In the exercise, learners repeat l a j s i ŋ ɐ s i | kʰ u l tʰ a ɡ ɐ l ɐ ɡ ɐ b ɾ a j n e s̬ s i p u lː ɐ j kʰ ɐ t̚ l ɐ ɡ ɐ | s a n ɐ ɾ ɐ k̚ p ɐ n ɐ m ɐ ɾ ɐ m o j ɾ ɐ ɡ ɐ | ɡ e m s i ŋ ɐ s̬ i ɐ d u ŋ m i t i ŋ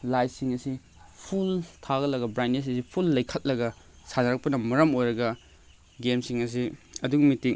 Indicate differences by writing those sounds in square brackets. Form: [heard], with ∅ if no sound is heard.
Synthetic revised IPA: l a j s i ŋ ɐ s i | [pʰ] u l tʰ a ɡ ɐ l ɐ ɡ ɐ b ɾ a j n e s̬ s i [pʰ] u lː ɐ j kʰ ɐ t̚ l ɐ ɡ ɐ | s a n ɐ ɾ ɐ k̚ p ɐ n ɐ m ɐ ɾ ɐ m o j ɾ ɐ ɡ ɐ | ɡ e m s i ŋ ɐ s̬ i ɐ d u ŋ m i t i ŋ